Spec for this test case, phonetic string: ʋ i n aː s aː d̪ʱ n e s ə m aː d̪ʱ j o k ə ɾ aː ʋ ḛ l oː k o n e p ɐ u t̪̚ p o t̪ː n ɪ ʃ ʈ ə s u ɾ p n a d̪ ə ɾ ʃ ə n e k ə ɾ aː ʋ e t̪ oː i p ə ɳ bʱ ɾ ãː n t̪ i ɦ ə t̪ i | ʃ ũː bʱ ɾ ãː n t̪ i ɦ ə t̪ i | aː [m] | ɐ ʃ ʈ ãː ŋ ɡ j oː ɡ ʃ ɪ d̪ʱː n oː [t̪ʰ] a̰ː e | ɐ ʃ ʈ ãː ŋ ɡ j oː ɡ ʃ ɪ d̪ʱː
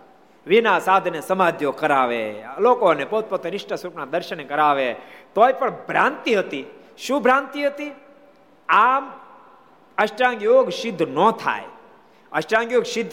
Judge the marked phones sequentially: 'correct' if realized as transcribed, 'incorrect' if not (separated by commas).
correct, correct